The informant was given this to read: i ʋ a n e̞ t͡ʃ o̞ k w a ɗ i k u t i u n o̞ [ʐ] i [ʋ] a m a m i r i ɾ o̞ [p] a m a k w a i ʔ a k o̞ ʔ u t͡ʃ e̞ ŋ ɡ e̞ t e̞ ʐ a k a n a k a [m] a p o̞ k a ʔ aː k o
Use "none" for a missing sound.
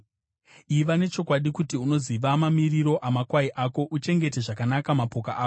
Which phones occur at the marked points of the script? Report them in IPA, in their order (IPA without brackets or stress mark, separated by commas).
z, ʋ, ʔ, m